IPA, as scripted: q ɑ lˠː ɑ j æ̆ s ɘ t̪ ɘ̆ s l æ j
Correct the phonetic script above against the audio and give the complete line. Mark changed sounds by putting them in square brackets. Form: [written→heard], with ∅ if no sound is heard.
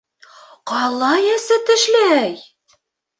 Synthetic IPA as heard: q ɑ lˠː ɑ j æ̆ s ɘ t̪ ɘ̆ [s→ʃ] l æ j

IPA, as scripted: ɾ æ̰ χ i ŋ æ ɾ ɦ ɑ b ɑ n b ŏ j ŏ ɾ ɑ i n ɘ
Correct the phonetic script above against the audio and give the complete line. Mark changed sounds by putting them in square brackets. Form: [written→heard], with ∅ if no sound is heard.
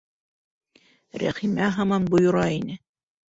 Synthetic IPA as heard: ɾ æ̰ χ i [ŋ→m] æ [ɾ→∅] ɦ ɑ [b→m] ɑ n b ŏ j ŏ ɾ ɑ i n ɘ

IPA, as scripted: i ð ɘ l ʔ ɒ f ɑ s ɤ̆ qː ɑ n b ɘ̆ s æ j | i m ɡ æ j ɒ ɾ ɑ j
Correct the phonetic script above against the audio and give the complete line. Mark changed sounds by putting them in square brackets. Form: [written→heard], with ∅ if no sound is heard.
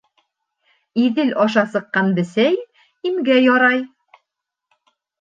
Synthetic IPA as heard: i ð ɘ l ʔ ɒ [f→ʃ] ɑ s ɤ̆ qː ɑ n b ɘ̆ s æ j | i m ɡ æ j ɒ ɾ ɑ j

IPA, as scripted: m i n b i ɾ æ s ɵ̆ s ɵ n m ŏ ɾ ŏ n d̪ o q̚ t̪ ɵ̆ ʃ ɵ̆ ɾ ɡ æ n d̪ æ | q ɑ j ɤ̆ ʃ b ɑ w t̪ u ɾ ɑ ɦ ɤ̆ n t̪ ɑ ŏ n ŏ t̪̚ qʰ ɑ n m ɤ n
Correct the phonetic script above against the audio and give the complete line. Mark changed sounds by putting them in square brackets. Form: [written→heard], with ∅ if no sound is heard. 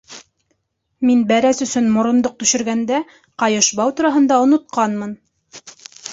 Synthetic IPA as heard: m i n b [i→æ] ɾ æ s ɵ̆ s ɵ n m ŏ ɾ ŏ n d̪ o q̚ t̪ ɵ̆ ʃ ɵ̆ ɾ ɡ æ n d̪ æ | q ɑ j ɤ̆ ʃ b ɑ w t̪ u ɾ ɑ ɦ ɤ̆ n [t̪→d̪] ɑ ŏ n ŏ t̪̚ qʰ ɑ n m ɤ n

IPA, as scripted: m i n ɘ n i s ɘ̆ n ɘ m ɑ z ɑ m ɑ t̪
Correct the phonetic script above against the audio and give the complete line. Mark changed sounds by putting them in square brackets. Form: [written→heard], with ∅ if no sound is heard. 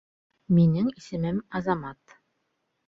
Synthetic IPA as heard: m i n ɘ [n→ŋ] i s ɘ̆ [n→m] ɘ m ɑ z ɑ m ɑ t̪

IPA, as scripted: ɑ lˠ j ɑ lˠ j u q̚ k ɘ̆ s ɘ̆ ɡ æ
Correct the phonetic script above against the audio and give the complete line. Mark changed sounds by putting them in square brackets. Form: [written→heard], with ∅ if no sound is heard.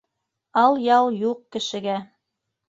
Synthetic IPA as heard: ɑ lˠ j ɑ lˠ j u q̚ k ɘ̆ [s→ʃ] ɘ̆ ɡ æ

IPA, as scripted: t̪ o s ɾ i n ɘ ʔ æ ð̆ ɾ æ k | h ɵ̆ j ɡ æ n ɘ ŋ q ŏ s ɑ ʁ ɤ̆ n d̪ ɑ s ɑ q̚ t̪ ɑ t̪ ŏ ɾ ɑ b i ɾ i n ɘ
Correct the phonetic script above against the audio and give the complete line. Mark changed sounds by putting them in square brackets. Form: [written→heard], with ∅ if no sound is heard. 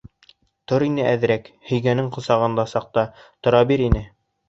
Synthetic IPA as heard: t̪ o [s→∅] ɾ i n ɘ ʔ æ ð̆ ɾ æ k | h ɵ̆ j ɡ æ n ɘ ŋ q ŏ s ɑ ʁ ɤ̆ n d̪ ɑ s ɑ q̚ t̪ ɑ t̪ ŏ ɾ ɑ b i ɾ i n ɘ

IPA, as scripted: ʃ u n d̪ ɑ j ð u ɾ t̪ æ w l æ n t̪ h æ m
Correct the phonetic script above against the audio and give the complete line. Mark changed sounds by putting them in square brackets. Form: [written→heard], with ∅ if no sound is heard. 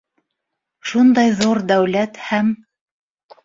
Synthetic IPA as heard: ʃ u n d̪ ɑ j ð u ɾ [t̪→d̪] æ w l æ [n→∅] t̪ h æ m

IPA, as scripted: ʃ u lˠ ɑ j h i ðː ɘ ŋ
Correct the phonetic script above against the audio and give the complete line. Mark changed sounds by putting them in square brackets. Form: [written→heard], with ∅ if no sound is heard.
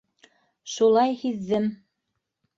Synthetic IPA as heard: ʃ u lˠ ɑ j h i ðː ɘ [ŋ→m]

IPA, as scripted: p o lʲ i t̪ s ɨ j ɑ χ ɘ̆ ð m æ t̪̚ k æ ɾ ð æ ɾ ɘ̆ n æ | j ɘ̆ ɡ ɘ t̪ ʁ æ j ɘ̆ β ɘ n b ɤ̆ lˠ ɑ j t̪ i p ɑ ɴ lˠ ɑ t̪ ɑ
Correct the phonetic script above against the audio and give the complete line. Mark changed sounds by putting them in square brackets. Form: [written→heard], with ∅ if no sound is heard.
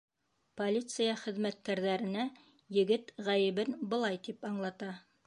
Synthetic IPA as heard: p o lʲ i t̪ s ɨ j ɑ χ ɘ̆ ð m æ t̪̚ k æ ɾ ð æ ɾ ɘ̆ n æ | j ɘ̆ ɡ ɘ t̪ ʁ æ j ɘ̆ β ɘ n b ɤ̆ lˠ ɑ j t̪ i p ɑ ɴ lˠ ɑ t̪ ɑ

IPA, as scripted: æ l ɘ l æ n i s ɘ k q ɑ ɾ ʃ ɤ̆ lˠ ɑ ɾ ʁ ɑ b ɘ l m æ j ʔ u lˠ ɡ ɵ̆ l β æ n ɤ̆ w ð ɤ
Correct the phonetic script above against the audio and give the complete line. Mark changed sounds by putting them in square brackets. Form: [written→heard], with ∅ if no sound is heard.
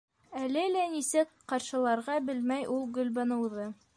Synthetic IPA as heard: æ l ɘ l æ n i s ɘ k q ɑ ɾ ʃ ɤ̆ lˠ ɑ ɾ ʁ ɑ b ɘ l m æ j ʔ u lˠ ɡ ɵ̆ l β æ n ɤ̆ w ð ɤ

